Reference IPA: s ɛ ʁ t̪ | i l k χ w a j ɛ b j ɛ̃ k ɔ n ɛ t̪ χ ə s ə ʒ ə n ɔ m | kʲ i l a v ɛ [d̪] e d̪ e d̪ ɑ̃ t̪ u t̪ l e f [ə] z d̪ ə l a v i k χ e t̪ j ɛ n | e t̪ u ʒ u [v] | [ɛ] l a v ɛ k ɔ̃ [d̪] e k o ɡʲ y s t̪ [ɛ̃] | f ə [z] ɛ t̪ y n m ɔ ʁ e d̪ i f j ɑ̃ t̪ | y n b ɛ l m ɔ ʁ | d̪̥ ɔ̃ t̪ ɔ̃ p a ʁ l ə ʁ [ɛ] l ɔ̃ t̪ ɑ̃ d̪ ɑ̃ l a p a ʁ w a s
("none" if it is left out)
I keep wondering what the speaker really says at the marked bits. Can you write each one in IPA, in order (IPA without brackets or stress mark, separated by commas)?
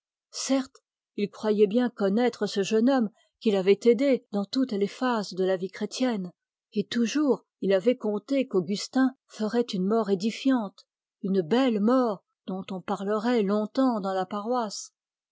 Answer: t̪, a, ʁ, i, t̪, ɛ̃, ʁ, ɛ